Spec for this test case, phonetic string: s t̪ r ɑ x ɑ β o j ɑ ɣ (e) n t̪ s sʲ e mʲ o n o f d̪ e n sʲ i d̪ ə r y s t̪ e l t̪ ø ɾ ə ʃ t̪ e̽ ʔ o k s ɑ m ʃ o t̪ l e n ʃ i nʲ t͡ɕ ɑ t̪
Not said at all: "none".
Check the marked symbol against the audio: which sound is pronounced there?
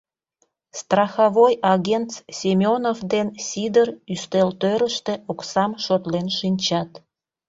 e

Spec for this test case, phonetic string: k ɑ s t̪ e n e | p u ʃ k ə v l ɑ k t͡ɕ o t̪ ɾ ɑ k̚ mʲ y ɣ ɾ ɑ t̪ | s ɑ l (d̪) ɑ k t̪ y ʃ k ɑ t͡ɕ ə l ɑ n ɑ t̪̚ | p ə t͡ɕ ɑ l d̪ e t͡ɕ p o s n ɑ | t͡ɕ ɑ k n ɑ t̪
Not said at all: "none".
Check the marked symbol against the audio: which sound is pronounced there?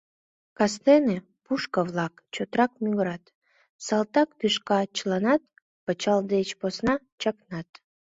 t̪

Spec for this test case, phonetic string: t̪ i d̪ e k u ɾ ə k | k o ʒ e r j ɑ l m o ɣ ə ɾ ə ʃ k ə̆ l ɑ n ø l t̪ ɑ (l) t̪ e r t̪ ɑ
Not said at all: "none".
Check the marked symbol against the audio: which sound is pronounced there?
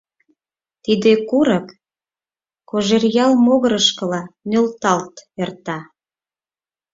l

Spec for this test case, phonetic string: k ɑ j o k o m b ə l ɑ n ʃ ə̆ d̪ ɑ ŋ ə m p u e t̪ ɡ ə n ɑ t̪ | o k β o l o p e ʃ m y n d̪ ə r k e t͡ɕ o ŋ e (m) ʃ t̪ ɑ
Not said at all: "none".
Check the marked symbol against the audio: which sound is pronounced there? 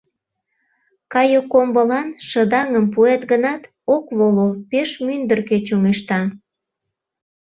none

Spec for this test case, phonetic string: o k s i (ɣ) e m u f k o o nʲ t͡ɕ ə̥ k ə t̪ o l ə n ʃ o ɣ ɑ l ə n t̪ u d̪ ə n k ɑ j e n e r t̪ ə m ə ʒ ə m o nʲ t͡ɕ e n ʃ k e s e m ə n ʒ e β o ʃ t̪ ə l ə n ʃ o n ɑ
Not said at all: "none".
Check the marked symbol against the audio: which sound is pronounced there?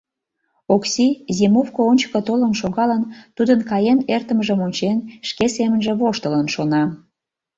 z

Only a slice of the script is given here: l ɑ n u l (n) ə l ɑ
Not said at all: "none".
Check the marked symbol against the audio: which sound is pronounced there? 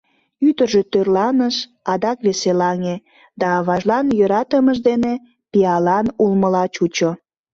m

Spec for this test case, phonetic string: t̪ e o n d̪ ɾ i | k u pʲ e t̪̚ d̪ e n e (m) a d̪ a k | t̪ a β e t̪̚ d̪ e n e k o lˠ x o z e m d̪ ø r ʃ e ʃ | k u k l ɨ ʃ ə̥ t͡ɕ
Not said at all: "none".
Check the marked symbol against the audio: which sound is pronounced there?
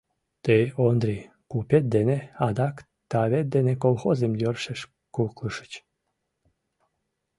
none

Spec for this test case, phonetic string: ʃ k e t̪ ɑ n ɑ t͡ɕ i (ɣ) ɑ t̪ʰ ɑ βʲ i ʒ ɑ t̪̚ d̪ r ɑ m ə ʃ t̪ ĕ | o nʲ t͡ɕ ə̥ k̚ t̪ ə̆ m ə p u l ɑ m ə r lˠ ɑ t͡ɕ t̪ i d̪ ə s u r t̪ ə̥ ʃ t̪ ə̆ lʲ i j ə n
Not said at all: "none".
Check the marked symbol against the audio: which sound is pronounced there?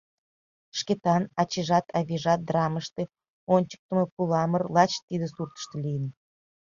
ʒ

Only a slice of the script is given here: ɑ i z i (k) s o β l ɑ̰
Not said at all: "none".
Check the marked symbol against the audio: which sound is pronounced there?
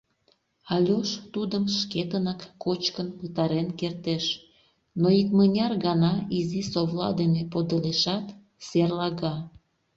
none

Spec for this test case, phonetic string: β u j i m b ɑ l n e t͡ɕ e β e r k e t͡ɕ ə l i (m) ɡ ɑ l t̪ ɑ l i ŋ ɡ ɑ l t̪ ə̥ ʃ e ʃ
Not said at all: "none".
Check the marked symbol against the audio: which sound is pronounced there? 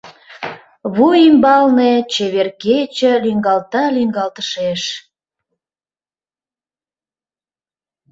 ŋ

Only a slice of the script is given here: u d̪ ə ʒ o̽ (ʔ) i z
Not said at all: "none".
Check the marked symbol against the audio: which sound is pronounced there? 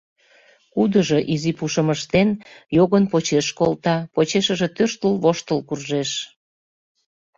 ʔ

